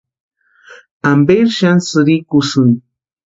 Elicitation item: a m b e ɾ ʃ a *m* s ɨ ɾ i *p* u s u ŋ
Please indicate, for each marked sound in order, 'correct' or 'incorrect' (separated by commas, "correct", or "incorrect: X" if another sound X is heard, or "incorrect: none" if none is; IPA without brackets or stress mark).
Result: incorrect: n, incorrect: k